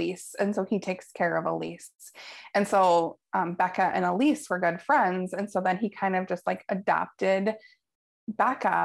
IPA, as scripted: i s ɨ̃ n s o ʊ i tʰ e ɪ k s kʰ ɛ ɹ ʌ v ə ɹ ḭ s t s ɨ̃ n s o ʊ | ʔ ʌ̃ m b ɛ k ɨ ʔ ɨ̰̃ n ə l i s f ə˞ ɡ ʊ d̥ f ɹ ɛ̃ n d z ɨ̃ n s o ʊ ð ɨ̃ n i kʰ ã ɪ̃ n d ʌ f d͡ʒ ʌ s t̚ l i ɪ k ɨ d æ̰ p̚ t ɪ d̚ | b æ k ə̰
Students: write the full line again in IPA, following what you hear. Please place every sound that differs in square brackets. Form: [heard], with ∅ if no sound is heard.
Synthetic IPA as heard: i s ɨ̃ n s o ʊ i tʰ e ɪ k s kʰ ɛ ɹ ʌ v ə [l] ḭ s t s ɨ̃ n s o ʊ | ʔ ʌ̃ m b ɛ k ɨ ʔ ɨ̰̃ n ə l i s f ə˞ ɡ ʊ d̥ f ɹ ɛ̃ n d z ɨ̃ n s o ʊ ð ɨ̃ n i kʰ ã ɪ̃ n d ʌ [v] d͡ʒ ʌ s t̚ l [a] ɪ k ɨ d æ̰ p̚ t ɪ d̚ | b æ k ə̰